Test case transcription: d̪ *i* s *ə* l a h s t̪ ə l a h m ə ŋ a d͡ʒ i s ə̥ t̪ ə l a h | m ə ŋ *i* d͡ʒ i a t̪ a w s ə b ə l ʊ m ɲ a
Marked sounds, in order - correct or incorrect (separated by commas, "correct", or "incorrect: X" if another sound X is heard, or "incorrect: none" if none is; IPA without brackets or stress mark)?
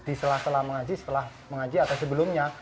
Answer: correct, correct, incorrect: a